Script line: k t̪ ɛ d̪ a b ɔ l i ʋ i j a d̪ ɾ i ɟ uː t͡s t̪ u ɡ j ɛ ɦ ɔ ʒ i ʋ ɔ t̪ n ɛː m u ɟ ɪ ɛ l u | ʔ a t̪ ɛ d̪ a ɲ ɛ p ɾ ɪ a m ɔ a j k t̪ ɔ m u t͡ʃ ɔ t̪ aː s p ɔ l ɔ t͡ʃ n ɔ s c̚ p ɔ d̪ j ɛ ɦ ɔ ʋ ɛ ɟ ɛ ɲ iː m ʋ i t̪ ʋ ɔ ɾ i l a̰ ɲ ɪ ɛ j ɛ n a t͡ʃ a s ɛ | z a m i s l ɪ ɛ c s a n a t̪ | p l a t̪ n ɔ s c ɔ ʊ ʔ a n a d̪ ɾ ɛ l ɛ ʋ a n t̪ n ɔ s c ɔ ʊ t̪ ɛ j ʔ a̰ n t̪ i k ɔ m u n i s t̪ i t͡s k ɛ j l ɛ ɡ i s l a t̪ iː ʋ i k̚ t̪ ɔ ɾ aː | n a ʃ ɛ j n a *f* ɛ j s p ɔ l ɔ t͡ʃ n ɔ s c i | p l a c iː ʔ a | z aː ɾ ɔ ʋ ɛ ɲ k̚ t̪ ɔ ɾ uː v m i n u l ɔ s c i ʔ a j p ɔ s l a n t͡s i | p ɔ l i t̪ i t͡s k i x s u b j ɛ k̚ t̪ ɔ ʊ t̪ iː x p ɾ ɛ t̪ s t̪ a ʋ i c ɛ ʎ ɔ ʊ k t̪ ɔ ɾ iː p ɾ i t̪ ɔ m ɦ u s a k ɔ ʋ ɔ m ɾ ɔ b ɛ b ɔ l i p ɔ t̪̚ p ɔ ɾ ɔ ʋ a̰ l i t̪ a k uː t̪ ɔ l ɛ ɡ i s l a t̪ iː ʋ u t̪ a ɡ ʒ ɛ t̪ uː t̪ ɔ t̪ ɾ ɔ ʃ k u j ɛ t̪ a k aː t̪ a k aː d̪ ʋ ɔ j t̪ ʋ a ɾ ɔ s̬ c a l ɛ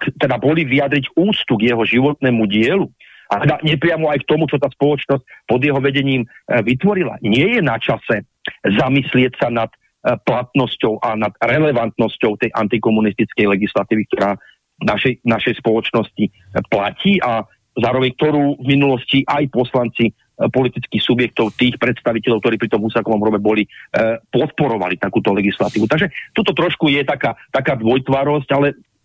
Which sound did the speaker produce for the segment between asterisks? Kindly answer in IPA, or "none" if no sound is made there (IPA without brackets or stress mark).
ʃ